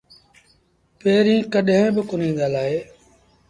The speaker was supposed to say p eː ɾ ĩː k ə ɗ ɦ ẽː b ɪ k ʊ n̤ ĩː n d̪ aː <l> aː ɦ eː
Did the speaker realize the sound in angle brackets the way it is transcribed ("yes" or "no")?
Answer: yes